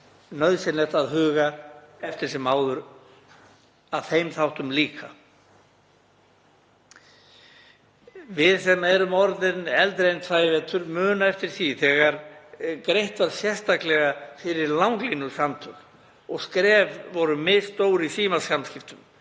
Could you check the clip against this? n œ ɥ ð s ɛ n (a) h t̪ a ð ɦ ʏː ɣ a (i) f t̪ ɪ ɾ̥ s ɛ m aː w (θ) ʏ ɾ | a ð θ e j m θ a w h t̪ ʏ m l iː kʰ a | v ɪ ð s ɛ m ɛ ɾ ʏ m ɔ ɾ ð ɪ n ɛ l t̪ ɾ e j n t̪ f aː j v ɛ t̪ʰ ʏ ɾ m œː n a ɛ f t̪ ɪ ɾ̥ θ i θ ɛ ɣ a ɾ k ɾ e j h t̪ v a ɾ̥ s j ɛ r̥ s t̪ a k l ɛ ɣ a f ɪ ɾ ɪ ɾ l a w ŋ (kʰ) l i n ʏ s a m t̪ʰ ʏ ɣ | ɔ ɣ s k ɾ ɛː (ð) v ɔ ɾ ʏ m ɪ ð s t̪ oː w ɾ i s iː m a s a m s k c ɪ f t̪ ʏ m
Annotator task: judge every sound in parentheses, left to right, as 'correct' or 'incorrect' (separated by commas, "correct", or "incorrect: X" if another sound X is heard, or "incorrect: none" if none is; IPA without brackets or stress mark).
incorrect: ɛ, incorrect: ɛ, incorrect: ð, incorrect: k, incorrect: v